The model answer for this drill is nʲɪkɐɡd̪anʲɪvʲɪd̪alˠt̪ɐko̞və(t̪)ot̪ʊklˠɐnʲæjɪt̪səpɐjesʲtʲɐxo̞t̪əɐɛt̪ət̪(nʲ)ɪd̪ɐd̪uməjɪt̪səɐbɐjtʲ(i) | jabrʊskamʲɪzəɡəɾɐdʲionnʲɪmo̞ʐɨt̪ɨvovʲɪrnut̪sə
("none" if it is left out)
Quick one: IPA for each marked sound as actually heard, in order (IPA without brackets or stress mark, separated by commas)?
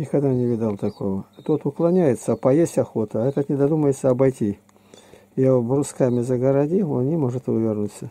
t̪, nʲ, i